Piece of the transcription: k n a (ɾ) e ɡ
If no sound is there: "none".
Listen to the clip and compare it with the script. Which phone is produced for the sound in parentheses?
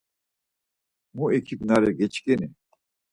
ɾ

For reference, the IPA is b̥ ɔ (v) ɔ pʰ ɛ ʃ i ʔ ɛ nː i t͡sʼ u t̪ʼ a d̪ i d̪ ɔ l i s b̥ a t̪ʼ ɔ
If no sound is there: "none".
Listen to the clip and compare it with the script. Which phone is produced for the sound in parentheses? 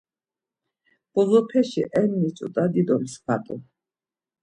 z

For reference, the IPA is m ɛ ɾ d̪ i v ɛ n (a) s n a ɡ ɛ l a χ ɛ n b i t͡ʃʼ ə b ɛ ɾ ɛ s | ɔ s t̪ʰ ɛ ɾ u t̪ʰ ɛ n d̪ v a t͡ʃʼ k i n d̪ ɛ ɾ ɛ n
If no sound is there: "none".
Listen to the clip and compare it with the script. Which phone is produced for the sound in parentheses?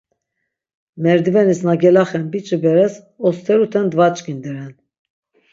i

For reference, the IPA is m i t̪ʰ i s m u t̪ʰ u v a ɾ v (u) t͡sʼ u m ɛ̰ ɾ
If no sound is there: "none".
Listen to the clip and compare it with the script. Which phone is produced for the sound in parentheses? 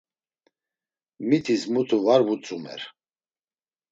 u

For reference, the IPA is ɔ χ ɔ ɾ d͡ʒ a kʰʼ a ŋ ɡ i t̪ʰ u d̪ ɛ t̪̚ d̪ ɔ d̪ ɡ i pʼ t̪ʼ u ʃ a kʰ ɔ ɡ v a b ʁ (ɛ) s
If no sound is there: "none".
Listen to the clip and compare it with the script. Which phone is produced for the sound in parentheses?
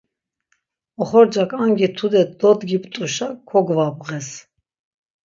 ɛ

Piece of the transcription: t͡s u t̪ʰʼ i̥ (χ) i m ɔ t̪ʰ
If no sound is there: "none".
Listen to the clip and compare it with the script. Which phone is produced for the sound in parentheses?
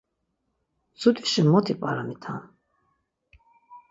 ʃ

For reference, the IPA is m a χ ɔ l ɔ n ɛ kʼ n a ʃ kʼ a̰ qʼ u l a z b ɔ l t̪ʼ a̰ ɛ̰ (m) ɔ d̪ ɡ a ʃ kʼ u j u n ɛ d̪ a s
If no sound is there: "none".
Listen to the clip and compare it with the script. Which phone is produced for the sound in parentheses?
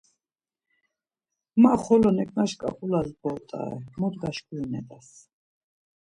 m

